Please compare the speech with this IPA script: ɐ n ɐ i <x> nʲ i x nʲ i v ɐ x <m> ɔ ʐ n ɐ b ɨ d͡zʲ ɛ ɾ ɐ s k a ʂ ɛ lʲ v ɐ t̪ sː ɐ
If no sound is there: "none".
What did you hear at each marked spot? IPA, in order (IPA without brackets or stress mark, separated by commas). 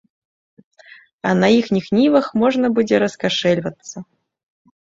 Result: x, m